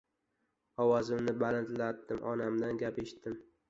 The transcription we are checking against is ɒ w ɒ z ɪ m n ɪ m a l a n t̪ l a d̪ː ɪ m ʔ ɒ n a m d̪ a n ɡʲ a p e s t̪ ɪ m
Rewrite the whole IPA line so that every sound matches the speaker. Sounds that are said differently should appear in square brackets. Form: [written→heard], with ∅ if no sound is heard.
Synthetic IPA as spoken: ɒ w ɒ z ɪ m n ɪ [m→b] a l a n t̪ l a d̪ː ɪ m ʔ ɒ n a m d̪ a n ɡʲ a p e [s→ʃ] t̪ ɪ m